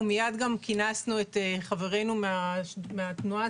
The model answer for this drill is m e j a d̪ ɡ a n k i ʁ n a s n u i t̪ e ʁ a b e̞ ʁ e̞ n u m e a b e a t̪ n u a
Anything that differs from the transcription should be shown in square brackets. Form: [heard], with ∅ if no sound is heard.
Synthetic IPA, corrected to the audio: m [i] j a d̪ ɡ a [m] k i [∅] n a s n u [e] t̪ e [χ] a [v] e̞ ʁ e̞ n u m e a [m] e a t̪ n u a